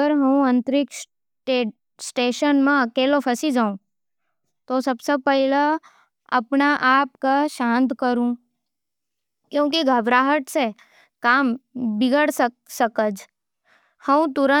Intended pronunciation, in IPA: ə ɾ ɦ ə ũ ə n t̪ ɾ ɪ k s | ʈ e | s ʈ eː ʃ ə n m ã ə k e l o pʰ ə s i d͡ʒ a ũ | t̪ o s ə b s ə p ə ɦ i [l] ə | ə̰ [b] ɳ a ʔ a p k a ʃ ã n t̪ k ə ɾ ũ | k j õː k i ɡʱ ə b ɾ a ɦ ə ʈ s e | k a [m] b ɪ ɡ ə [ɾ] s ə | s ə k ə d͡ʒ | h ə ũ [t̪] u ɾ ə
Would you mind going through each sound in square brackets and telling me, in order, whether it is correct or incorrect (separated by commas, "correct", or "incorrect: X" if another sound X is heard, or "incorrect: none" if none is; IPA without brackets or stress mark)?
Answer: correct, incorrect: p, correct, incorrect: ɽ, correct